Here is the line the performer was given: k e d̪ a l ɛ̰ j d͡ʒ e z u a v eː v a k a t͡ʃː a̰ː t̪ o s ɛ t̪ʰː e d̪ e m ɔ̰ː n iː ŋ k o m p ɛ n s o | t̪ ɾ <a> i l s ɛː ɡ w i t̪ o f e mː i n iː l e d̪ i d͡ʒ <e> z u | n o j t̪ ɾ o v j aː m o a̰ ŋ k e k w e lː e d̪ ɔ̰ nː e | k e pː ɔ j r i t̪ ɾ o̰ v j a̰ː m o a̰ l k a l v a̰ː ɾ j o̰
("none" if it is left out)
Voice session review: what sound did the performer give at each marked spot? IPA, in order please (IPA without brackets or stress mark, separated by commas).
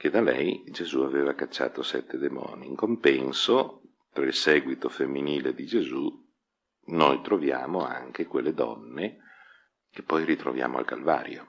a, e